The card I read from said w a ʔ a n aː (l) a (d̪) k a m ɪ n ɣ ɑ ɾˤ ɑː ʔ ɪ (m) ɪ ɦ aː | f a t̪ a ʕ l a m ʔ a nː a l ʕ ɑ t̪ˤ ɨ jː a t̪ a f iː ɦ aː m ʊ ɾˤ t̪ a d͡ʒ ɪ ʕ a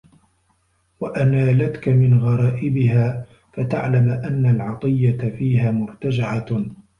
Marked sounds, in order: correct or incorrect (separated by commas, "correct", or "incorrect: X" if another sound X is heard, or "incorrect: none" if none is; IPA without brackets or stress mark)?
correct, incorrect: t̪, incorrect: b